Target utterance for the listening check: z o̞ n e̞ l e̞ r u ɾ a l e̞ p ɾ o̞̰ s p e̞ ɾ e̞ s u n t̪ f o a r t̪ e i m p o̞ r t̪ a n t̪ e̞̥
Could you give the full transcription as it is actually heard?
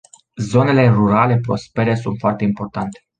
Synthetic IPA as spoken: z o̞ n e̞ l e̞ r u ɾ a l e̞ p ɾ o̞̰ s p e̞ ɾ e̞ s u n t̪ f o a r t̪ e i m p o̞ r t̪ a n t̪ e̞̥